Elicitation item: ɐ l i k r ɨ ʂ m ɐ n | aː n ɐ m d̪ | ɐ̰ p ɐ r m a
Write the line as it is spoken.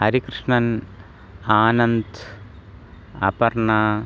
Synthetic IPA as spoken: ɐ ɾ i k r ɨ ʂ ɳ ɐ n | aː n ɐ n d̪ | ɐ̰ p ɐ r ɳ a